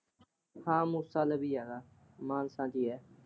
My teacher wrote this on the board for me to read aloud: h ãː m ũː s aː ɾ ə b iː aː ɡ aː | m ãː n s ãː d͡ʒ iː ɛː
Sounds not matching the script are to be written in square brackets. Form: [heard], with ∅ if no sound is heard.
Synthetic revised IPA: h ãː m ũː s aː [l] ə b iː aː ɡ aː | m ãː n s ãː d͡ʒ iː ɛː